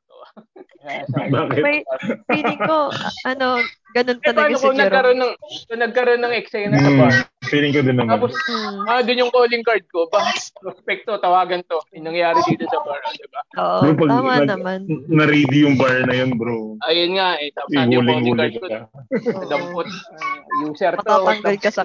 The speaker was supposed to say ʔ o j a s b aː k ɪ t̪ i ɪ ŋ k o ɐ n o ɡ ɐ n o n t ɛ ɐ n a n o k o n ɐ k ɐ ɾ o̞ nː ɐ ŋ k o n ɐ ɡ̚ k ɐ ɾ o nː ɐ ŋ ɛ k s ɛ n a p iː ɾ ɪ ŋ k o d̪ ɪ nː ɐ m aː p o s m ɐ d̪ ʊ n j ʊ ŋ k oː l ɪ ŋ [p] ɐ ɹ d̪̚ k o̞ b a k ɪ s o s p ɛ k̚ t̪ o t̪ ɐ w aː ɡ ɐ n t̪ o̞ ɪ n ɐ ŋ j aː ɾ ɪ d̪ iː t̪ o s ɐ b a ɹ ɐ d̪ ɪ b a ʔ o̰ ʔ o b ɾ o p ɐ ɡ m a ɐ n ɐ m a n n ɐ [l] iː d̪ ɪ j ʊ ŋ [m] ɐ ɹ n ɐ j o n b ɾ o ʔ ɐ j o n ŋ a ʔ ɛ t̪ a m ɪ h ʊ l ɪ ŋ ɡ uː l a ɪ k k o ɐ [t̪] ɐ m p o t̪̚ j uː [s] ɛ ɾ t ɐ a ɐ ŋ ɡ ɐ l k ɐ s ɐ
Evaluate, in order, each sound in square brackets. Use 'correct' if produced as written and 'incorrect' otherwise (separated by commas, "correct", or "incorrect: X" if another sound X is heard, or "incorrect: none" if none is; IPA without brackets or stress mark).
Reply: incorrect: k, incorrect: ɾ, incorrect: b, incorrect: d̪, correct